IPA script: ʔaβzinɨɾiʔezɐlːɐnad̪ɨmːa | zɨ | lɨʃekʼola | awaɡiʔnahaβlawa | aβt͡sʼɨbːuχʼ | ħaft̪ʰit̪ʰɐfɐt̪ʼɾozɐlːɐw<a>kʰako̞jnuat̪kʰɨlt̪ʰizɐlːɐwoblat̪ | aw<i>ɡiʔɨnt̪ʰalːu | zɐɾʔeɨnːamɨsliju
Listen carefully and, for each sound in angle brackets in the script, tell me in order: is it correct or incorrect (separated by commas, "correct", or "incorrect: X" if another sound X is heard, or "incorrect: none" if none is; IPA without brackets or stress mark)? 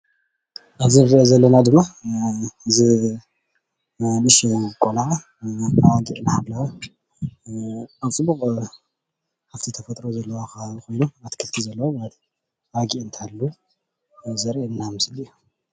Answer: correct, incorrect: a